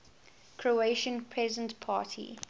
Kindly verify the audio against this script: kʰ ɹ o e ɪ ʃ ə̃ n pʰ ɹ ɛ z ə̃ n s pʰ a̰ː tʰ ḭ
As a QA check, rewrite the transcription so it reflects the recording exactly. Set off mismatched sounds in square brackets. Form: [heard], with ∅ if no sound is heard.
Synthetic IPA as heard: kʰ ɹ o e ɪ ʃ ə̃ n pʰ ɹ ɛ z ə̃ n [t] pʰ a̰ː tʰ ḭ